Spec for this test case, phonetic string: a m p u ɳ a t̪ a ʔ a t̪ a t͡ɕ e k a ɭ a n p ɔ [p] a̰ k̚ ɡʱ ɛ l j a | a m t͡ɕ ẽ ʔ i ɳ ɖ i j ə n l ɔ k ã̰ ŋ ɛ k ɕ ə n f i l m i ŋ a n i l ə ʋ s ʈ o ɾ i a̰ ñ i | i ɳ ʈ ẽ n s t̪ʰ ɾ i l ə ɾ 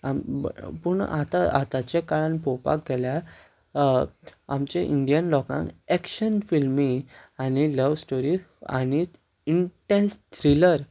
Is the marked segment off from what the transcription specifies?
no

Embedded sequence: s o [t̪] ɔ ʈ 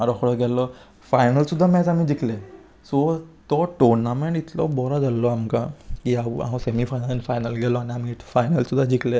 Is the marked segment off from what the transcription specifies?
no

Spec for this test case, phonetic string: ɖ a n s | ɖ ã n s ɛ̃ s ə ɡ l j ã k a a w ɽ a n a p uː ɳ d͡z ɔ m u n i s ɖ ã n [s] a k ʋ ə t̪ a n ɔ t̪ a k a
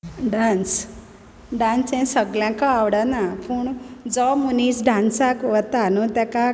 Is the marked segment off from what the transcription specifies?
no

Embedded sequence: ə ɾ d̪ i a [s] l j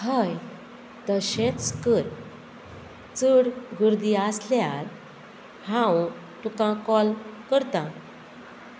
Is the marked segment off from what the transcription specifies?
no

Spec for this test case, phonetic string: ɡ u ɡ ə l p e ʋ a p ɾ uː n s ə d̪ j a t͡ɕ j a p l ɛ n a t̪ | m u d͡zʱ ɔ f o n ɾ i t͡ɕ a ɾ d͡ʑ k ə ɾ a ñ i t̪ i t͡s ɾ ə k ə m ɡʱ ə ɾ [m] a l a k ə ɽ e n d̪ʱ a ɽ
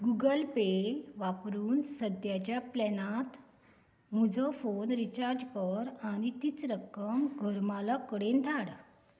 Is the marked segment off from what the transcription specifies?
no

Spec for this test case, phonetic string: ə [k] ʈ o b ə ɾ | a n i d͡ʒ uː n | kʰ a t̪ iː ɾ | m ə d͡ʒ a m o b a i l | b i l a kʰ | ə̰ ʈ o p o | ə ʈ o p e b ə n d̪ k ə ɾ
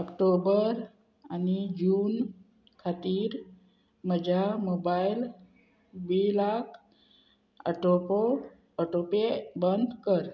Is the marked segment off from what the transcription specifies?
no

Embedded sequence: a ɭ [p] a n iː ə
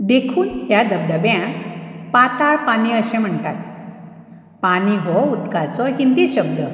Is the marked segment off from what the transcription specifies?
no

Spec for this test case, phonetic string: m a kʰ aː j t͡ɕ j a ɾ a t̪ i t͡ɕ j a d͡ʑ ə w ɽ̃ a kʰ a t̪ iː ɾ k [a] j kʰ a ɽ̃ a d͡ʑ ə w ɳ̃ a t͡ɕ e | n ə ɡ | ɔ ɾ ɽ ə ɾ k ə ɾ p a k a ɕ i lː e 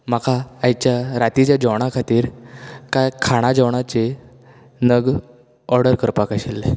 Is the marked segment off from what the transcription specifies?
no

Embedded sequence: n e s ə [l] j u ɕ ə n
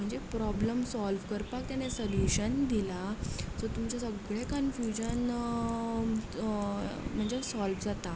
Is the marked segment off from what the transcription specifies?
no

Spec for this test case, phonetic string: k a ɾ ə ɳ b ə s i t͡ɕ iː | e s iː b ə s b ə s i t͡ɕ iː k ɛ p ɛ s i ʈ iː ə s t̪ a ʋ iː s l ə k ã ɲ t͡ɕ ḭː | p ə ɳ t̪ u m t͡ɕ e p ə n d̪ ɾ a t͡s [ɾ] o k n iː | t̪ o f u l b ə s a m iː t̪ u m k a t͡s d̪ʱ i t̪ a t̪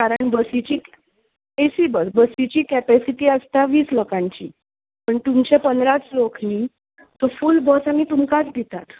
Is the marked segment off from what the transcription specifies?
yes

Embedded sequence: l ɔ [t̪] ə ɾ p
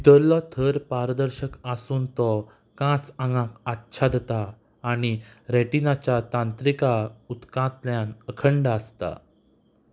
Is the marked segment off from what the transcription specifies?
yes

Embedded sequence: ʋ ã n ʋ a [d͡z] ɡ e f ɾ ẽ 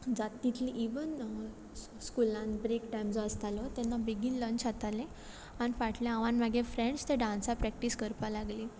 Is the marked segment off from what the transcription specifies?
yes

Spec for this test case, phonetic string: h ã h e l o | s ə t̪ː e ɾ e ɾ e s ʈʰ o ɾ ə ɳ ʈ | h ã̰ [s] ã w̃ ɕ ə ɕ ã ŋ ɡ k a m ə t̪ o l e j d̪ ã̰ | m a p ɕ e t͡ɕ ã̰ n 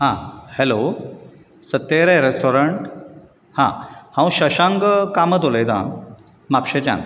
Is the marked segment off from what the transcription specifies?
yes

